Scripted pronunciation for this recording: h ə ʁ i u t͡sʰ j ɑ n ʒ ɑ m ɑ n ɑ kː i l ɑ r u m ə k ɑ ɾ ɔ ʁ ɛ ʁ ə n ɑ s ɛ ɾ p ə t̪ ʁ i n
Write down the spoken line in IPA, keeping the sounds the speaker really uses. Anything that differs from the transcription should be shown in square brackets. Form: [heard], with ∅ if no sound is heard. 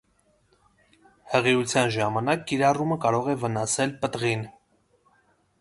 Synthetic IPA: h ə ʁ i u t͡sʰ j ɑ n ʒ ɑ m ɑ n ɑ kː i [ɾ] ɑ r u m ə k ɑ ɾ ɔ ʁ ɛ [v] ə n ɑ s ɛ [l] p ə t̪ ʁ i n